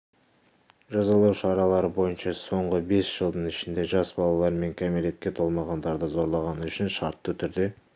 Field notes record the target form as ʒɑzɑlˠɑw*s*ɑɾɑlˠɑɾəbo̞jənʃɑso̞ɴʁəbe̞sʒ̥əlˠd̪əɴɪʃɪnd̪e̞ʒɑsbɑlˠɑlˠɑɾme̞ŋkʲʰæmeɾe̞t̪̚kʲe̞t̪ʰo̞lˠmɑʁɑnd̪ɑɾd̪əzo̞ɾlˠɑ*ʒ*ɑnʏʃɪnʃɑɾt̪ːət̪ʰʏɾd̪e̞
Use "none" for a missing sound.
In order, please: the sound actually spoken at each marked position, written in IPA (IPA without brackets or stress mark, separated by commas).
ʃ, ʁ